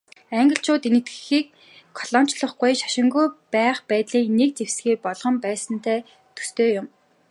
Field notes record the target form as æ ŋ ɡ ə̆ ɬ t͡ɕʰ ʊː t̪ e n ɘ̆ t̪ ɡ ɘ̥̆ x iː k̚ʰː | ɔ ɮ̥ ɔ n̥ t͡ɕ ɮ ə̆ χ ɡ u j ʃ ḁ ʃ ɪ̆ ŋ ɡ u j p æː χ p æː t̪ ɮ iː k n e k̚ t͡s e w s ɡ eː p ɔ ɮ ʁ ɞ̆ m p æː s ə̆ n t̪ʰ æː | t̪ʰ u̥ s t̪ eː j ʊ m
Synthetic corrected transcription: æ ŋ ɡ ə̆ ɬ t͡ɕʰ ʊː t̪ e n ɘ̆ t̪ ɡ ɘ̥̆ x iː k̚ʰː | ɔ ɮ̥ ɔ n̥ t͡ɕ ɮ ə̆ χ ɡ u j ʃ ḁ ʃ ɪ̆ ŋ ɡ u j p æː χ p æː t̪ ɮ iː k n e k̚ t͡s e w s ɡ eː p ɔ ɮ ʁ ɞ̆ m p æː s ə̆ n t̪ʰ æː | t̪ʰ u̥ s t̪ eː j ʊ m